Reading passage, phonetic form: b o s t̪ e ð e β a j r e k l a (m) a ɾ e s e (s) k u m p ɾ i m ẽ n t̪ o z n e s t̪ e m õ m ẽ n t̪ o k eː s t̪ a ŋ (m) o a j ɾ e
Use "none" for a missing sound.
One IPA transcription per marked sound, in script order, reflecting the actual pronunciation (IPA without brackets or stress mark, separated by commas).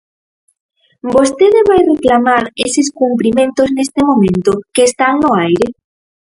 m, s, n